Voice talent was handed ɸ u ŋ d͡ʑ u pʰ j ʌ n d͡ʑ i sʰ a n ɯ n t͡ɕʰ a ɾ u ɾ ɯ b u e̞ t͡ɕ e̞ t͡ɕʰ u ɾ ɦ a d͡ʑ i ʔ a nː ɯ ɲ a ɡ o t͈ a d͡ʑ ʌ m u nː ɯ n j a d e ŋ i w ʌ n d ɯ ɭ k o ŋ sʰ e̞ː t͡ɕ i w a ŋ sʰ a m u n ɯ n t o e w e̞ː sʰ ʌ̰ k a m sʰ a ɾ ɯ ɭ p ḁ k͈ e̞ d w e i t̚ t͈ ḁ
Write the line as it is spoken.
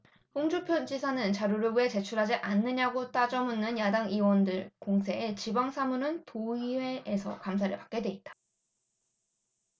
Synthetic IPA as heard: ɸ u ŋ d͡ʑ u pʰ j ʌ n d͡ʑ i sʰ a n ɯ n t͡ɕ a ɾ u ɾ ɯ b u e̞ t͡ɕ e̞ t͡ɕʰ u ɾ ɦ a d͡ʑ i ʔ a nː ɯ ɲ a ɡ o t͈ a d͡ʑ ʌ m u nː ɯ n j a d a ŋ i w ʌ n d ɯ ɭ k o ŋ sʰ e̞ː t͡ɕ i b a ŋ sʰ a m u n ɯ n t o i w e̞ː sʰ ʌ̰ k a m sʰ a ɾ ɯ ɭ p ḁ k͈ e̞ d w e i t̚ t͈ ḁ